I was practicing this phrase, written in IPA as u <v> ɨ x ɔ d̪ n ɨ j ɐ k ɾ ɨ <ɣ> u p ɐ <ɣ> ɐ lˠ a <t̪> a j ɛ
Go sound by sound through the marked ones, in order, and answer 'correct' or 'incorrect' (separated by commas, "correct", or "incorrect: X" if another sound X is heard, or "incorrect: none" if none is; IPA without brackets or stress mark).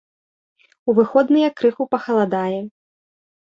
correct, incorrect: x, incorrect: x, incorrect: d̪